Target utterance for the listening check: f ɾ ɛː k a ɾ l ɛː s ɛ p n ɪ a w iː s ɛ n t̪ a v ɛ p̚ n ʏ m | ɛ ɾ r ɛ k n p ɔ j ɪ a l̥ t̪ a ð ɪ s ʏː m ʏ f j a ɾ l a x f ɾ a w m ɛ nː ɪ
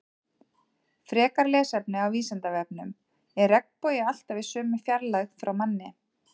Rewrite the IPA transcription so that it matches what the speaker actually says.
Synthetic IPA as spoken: f ɾ ɛː k a ɾ l ɛː s ɛ p n ɪ a w iː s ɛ n t̪ a v ɛ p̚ n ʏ m | ɛ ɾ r ɛ k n p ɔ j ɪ a l̥ t̪ a v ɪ s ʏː m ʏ f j a ɾ l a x f ɾ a w m a nː ɪ

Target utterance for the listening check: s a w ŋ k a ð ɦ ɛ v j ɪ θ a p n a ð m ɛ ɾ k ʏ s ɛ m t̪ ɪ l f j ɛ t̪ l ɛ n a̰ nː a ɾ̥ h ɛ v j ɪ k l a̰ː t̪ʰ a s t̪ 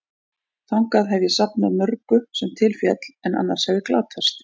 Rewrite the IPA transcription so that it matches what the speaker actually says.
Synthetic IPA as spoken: θ a w ŋ k a ð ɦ ɛ v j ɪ s a p n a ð m œ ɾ k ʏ s ɛ m t̪ʰ ɪ l f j ɛ t̪ l ɛ n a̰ nː a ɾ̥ h ɛ v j ɪ k l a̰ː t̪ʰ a s t̪

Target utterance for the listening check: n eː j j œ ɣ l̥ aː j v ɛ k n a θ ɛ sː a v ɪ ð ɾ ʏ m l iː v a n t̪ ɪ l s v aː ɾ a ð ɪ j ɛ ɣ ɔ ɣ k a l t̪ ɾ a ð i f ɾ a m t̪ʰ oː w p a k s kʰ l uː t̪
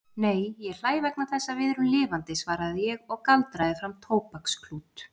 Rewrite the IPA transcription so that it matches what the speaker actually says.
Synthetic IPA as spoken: n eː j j ɛ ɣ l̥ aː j v ɛ k n a θ ɛ sː a v ɪ ð ɾ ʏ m l ɪː v a n t̪ ɪ s v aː ɾ a ð ɪ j ɛ ɣ ɔ ɣ k a l t̪ ɾ a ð ɪ f ɾ a m t̪ʰ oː w p a k s kʰ l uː t̪

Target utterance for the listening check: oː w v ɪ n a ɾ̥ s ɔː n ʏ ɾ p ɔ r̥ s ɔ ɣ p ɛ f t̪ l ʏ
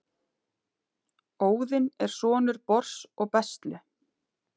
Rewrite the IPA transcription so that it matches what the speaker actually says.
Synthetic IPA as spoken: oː w ð ɪ n ɛ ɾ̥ s ɔː n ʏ ɾ p ɔ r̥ s ɔ ɣ p ɛ s t̪ l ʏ

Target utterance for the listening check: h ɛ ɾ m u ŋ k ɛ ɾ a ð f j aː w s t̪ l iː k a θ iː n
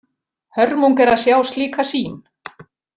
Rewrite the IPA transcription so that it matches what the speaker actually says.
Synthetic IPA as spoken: h œ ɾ m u ŋ k ɛ ɾ a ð s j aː w s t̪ l iː k a s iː n

